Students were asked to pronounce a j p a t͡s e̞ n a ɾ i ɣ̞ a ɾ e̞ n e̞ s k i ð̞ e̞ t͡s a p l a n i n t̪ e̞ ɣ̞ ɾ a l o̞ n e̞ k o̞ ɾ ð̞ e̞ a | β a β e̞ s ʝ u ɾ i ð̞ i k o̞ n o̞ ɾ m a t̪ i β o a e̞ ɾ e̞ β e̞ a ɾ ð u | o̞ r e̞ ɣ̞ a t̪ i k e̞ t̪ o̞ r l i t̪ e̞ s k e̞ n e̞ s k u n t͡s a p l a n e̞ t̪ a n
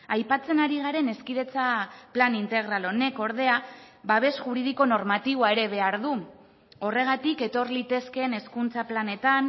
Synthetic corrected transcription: a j p a t͡s e̞ n a ɾ i ɣ̞ a ɾ e̞ n e̞ s k i ð̞ e̞ t͡s a p l a n i n t̪ e̞ ɣ̞ ɾ a l o̞ n e̞ k o̞ ɾ ð̞ e̞ a | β a β e̞ s ʝ u ɾ i ð̞ i k o̞ n o̞ ɾ m a t̪ i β o a e̞ ɾ e̞ β e̞ a ɾ ð u | o̞ r e̞ ɣ̞ a t̪ i k e̞ t̪ o̞ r l i t̪ e̞ s k e̞ n e̞ s k u n t͡s a p l a n e̞ t̪ a n